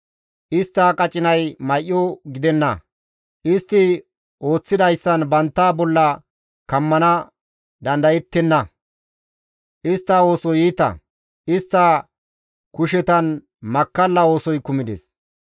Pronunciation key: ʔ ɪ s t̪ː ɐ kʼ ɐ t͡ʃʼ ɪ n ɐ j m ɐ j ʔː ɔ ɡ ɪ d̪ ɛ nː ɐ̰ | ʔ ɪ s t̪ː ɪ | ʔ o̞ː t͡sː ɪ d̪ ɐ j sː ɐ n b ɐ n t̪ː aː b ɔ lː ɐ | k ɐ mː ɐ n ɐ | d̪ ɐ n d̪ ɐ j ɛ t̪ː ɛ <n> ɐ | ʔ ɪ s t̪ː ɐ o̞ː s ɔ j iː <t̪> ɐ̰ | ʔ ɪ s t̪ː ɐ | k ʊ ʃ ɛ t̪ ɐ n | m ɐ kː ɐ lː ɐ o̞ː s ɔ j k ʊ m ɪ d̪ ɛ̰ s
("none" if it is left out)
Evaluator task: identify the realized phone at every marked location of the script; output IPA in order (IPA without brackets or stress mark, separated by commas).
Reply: nː, t̪